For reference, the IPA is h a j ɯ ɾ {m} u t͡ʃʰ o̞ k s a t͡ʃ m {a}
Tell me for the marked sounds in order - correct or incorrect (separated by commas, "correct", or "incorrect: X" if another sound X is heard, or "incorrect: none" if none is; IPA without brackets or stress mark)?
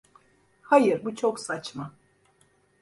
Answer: incorrect: b, correct